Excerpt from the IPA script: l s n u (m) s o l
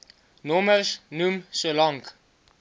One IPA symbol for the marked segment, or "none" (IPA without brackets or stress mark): m